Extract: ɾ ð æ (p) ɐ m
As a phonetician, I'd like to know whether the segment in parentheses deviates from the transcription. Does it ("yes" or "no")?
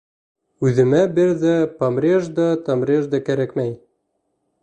no